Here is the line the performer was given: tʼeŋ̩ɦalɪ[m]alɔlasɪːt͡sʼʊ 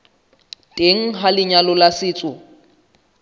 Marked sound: incorrect: ɲ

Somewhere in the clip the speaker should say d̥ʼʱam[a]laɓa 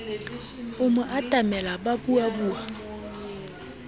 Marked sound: incorrect: ɛ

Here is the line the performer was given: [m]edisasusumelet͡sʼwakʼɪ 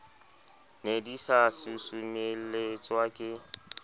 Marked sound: incorrect: n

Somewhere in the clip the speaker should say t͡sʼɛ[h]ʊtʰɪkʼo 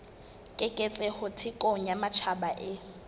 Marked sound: correct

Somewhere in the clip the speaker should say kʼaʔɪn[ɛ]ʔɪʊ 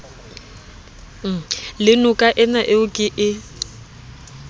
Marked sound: incorrect: a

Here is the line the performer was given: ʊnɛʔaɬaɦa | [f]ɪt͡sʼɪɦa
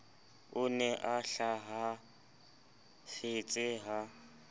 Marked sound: correct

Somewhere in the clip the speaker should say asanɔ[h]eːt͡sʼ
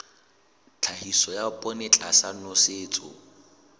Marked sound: incorrect: s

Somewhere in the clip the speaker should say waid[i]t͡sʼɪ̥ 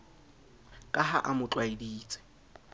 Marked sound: incorrect: iː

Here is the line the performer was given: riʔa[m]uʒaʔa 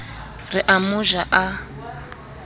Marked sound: correct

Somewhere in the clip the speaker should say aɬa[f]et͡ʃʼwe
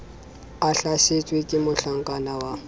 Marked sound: incorrect: ʃ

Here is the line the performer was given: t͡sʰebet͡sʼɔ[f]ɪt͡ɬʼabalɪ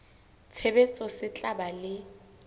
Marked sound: incorrect: s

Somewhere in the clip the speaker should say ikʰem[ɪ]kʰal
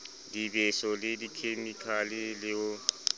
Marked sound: incorrect: i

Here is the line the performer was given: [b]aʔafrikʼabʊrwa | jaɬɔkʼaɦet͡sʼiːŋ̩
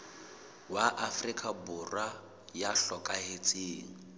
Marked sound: incorrect: w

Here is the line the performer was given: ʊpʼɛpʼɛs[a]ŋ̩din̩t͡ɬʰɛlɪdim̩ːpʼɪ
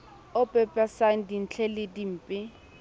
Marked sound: correct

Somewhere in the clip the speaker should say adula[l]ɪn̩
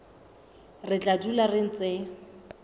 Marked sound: incorrect: r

